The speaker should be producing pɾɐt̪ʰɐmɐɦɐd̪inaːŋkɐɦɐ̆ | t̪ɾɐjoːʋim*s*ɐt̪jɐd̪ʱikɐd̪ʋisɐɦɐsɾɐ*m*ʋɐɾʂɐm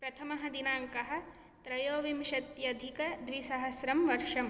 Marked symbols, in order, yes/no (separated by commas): no, yes